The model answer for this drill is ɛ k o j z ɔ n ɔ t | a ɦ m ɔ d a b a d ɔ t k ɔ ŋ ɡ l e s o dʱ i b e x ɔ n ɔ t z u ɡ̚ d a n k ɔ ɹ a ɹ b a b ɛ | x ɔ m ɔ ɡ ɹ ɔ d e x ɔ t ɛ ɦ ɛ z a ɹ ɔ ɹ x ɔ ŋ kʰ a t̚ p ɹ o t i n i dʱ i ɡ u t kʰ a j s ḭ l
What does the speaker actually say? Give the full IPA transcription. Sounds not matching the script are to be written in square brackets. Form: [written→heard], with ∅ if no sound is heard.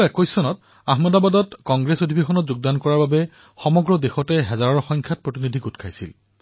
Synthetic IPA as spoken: ɛ k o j [z→s] ɔ n ɔ t | a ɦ m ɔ d a b a d ɔ t k ɔ ŋ ɡ [l→ɹ] e s o dʱ i b e x ɔ n ɔ t z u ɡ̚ d a n k ɔ ɹ a ɹ b a b ɛ | x ɔ m ɔ ɡ ɹ ɔ d e x ɔ t ɛ ɦ ɛ z a ɹ ɔ ɹ x ɔ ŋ kʰ a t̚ p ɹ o t i n i dʱ i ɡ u t kʰ a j s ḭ l